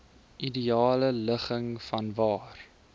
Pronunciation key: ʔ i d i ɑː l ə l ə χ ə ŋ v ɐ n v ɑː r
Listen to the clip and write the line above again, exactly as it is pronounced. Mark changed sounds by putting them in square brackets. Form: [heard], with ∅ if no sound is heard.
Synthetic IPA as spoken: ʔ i d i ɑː l ə l ə χ ə ŋ [f] ɐ n v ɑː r